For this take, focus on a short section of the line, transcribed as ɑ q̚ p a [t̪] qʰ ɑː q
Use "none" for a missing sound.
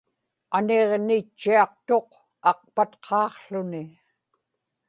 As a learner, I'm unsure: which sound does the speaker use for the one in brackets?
t̪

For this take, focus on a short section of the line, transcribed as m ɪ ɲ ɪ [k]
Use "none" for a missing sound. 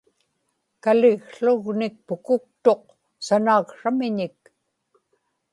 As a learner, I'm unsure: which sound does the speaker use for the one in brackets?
k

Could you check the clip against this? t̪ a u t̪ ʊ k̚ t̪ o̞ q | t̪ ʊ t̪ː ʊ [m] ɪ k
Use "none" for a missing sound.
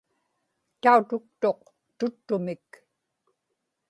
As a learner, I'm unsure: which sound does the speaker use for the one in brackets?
m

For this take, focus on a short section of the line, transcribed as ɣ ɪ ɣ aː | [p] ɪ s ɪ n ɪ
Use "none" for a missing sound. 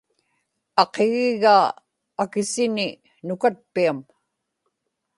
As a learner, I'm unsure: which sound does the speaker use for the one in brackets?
k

